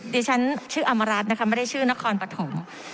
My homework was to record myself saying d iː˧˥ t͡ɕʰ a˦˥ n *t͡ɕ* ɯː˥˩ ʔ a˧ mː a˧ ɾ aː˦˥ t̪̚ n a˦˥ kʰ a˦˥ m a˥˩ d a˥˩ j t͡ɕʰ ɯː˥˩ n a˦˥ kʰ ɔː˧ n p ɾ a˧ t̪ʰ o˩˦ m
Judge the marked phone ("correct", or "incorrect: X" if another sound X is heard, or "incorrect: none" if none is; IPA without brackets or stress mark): incorrect: t͡ɕʰ